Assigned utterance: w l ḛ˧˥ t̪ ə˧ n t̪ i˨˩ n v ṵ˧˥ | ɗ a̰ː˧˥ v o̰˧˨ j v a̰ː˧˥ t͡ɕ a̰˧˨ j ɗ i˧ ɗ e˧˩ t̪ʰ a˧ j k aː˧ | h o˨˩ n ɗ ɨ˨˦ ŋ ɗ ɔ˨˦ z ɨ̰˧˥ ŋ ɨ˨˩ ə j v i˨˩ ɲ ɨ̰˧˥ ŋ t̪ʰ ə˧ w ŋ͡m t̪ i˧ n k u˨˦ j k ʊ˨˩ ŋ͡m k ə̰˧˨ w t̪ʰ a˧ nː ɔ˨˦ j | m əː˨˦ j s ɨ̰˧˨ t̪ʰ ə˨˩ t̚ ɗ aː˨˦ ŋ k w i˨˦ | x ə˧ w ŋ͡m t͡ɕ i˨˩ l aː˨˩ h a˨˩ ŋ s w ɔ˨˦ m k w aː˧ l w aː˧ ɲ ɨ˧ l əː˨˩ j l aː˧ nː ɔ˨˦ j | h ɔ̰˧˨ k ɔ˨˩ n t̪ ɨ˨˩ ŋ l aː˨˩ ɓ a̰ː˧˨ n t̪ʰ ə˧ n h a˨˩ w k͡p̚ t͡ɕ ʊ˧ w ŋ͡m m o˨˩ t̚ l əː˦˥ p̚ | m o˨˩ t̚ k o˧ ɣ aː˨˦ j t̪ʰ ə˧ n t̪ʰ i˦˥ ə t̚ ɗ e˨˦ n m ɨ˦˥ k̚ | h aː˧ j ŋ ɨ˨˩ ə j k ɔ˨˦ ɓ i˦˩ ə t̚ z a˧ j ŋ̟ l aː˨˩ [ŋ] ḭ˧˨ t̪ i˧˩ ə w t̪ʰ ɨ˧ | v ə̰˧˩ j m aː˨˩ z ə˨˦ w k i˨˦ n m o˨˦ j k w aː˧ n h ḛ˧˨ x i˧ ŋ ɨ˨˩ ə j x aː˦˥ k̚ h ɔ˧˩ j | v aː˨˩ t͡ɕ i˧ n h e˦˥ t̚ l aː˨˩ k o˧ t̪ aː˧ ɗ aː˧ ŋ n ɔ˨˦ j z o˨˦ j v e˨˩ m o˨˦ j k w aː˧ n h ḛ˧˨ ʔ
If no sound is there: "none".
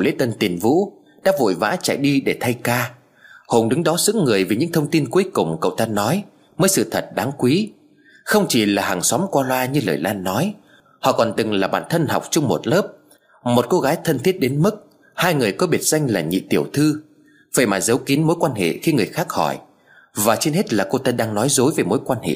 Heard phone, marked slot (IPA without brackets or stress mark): ɲ